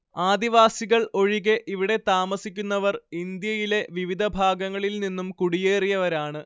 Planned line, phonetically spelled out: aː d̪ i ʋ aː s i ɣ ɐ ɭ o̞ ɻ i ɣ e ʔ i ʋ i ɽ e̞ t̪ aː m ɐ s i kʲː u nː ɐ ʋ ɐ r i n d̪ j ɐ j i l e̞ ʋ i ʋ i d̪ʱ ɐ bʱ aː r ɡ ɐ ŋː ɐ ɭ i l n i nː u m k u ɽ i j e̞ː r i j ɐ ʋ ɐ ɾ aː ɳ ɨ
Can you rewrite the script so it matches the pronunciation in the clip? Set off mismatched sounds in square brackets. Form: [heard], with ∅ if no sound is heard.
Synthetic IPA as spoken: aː d̪ i ʋ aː s i ɣ ɐ ɭ o̞ ɻ i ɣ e ʔ i ʋ i ɽ e̞ t̪ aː m ɐ s i kʲː u nː ɐ ʋ ɐ r i n d̪ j ɐ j i l e̞ ʋ i ʋ i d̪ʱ ɐ bʱ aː [∅] ɡ ɐ ŋː ɐ ɭ i l n i nː u m k u ɽ i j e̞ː r i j ɐ ʋ ɐ ɾ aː ɳ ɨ